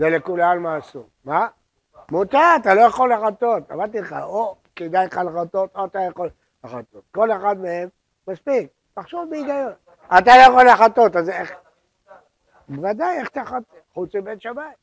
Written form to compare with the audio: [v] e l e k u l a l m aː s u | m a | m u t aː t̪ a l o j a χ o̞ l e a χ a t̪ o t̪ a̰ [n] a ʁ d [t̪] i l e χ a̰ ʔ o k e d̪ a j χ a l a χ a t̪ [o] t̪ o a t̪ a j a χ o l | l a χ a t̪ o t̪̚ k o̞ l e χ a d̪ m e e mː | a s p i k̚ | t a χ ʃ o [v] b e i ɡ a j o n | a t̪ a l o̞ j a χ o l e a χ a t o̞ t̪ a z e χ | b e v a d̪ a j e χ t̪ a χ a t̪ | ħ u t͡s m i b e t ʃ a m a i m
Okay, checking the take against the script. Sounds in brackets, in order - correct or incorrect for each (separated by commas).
incorrect, incorrect, correct, correct, correct